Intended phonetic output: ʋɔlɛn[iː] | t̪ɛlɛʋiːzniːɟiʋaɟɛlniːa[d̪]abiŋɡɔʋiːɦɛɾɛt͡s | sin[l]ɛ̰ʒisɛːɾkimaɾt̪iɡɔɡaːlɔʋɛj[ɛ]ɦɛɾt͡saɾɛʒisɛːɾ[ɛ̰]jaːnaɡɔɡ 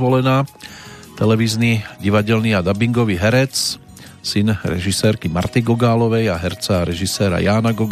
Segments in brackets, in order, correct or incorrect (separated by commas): incorrect, correct, incorrect, incorrect, incorrect